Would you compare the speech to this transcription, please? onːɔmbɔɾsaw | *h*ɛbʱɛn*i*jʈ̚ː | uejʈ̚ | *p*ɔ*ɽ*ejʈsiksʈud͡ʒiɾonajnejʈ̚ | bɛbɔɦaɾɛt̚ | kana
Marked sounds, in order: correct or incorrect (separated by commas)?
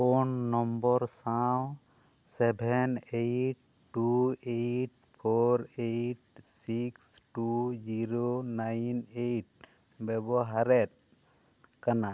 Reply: incorrect, incorrect, incorrect, incorrect